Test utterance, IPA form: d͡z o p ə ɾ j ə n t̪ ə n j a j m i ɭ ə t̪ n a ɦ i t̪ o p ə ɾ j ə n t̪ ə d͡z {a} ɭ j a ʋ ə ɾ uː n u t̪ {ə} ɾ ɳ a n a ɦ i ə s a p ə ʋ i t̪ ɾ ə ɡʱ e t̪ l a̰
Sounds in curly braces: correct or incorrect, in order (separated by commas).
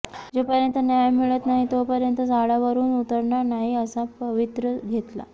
correct, correct